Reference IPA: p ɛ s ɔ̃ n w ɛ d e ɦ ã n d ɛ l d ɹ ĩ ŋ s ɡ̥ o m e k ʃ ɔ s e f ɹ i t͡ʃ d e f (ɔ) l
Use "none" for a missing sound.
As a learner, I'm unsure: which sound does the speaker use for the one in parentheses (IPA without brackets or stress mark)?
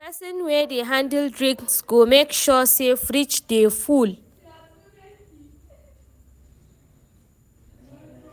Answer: u